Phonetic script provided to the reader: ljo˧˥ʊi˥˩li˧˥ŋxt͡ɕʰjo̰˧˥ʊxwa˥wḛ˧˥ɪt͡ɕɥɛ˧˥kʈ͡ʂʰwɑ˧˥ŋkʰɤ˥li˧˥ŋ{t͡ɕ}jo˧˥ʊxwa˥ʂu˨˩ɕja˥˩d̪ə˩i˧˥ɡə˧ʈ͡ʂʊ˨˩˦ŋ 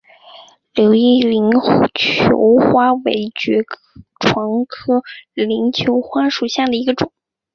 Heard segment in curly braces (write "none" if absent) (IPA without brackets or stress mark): t͡ɕʰ